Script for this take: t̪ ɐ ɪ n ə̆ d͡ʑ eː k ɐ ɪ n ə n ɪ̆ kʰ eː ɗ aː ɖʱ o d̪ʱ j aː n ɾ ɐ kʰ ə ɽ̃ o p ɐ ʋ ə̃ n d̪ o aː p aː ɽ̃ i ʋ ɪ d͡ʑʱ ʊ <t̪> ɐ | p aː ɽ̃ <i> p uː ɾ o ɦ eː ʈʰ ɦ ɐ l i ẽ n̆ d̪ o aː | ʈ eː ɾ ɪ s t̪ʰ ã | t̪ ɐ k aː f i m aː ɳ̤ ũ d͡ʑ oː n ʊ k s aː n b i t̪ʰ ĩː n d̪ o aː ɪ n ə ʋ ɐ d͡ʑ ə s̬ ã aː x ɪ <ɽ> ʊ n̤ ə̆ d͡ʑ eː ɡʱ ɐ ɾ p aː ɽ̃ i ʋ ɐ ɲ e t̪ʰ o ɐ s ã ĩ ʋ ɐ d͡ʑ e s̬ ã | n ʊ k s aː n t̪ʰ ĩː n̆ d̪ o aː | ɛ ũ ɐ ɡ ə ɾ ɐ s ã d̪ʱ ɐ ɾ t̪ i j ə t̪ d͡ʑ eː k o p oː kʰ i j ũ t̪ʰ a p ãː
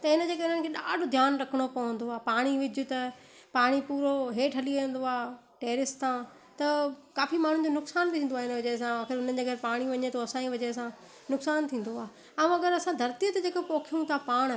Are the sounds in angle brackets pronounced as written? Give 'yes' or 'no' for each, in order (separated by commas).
yes, yes, no